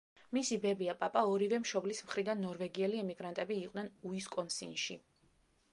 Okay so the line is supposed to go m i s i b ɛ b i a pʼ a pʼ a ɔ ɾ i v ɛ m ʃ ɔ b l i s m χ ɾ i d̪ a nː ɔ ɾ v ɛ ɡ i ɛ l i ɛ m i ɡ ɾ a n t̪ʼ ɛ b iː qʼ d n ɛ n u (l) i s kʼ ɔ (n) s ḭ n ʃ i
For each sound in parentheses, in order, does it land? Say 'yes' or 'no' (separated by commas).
no, yes